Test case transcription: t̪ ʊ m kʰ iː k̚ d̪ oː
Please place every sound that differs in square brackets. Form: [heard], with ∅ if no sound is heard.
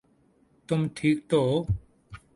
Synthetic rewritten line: t̪ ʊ m [ʈʰ] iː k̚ [t̪] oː